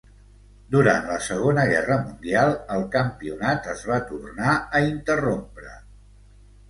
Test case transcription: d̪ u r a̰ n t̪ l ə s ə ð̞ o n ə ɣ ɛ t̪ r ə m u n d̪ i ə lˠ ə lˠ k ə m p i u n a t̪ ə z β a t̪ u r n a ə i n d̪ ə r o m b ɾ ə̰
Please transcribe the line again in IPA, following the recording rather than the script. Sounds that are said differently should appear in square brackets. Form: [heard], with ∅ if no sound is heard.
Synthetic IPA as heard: d̪ u [ɾ] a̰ n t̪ l ə s ə [ɣ̞] o n ə ɣ ɛ [∅] r ə m u n d̪ i [a] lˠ ə lˠ k ə m p i u n a t̪ ə z β a t̪ u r n a ə i n [t̪] ə r o m [p] ɾ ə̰